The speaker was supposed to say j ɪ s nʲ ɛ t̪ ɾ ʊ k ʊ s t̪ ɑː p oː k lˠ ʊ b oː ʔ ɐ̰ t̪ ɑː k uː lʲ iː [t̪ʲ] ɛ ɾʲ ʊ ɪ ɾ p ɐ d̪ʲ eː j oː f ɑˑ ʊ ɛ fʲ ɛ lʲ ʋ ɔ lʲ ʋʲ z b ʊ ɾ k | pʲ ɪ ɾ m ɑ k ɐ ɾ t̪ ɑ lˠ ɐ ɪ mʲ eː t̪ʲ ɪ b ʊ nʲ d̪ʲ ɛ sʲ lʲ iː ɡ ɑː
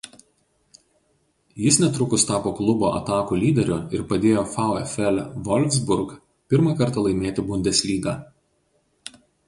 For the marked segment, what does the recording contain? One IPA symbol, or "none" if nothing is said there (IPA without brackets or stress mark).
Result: d̪ʲ